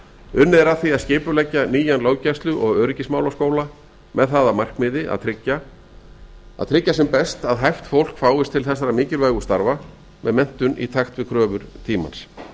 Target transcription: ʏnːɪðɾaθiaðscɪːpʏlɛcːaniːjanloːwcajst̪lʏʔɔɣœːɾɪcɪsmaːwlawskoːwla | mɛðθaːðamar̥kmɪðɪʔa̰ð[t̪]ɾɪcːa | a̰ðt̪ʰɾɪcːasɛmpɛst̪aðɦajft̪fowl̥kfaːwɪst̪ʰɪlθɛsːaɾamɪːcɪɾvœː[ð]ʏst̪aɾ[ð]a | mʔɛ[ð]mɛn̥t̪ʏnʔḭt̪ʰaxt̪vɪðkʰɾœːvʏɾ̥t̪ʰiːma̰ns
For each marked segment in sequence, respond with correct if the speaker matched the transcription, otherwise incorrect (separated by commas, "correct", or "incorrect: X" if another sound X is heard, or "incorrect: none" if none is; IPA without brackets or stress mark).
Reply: incorrect: t̪ʰ, incorrect: ɣ, incorrect: v, correct